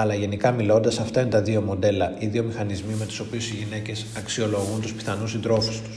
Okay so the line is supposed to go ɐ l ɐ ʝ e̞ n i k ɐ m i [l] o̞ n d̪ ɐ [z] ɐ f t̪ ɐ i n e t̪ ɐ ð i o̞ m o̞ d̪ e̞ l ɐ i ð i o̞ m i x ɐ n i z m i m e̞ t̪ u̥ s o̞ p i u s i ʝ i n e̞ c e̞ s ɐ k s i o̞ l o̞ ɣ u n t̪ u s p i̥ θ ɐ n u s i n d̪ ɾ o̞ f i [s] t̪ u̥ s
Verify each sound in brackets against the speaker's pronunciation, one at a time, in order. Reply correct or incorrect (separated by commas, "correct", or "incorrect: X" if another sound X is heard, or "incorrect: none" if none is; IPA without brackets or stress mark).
correct, incorrect: s, correct